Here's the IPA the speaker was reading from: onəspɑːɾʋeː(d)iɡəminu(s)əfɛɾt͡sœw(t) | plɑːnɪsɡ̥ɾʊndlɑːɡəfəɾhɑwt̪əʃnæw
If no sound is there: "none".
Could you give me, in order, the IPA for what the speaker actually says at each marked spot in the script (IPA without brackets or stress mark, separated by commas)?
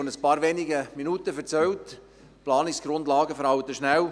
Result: n, t, t